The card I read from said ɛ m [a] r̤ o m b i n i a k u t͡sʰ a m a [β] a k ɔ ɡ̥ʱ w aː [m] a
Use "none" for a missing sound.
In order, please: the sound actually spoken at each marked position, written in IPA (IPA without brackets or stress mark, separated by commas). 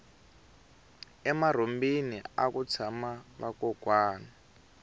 a, β, n